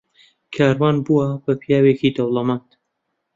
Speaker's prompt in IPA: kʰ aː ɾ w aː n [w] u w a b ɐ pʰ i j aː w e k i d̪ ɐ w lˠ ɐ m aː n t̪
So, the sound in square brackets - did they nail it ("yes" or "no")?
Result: no